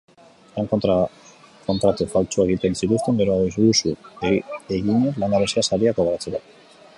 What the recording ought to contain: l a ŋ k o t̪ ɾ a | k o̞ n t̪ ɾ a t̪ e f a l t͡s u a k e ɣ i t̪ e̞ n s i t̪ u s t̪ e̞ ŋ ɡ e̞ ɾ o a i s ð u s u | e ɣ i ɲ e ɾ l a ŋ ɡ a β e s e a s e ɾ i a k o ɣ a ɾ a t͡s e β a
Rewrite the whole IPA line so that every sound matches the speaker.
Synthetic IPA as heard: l a ŋ k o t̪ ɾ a | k o̞ n t̪ ɾ a t̪ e f a l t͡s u a e ɣ i t̪ e̞ n s i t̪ u s t̪ e̞ ŋ ɡ e̞ ɾ o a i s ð u s u | e ɣ i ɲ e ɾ l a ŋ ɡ a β e s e a s a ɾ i a k o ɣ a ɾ a t͡s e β a